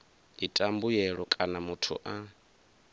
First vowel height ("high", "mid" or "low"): high